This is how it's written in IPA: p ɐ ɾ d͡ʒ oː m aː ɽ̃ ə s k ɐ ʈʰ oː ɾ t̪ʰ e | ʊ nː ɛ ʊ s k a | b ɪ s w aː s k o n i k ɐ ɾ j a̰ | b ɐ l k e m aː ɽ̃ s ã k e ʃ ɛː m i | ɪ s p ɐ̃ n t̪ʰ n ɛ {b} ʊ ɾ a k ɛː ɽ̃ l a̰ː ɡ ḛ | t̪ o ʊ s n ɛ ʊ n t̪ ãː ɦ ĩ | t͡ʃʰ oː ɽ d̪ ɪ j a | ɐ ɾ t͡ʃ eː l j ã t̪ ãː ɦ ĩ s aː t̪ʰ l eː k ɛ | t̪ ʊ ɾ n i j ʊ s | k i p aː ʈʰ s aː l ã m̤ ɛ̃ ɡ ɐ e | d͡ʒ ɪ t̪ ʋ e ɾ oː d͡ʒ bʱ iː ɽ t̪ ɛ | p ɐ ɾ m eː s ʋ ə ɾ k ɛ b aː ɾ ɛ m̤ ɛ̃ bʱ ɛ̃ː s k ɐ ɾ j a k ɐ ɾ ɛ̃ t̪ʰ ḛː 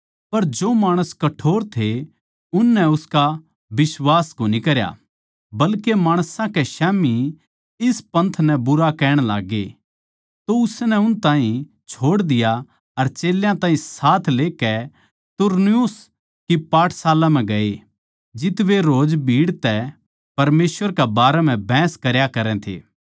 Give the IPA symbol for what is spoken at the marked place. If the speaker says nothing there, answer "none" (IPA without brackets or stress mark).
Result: b